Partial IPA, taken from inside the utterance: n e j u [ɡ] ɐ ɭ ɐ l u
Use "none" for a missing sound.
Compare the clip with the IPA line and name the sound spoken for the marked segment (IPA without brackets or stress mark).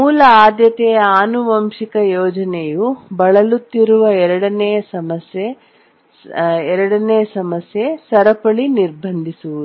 b